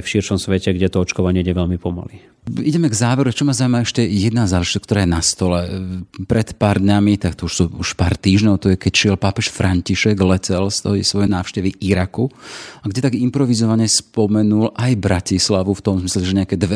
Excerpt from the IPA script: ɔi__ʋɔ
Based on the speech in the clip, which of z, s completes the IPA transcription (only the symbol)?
s